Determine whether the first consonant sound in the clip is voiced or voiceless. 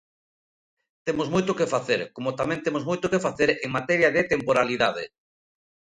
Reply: voiceless